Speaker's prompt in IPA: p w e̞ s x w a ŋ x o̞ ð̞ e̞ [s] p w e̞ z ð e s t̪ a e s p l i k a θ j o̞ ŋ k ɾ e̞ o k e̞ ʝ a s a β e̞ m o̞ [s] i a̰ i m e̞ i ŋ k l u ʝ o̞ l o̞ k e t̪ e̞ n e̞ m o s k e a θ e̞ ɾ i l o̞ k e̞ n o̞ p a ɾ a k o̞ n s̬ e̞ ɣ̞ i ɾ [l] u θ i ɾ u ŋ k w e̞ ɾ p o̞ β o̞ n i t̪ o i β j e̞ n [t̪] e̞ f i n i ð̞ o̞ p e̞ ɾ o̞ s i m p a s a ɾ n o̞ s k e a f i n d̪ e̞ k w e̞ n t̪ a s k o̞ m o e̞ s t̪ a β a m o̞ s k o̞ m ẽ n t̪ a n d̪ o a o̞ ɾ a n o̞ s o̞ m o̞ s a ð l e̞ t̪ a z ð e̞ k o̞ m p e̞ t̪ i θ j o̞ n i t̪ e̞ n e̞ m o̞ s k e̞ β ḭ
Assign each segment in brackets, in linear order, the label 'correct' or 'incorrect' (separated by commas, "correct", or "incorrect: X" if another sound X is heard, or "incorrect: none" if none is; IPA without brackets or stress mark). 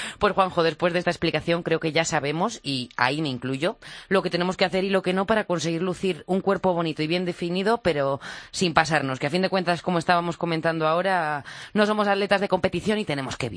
correct, correct, correct, incorrect: d̪